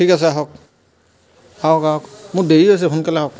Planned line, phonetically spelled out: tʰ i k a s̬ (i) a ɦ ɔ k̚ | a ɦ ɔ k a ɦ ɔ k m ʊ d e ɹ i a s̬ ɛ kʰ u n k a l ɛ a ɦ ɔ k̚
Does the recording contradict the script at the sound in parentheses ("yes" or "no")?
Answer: yes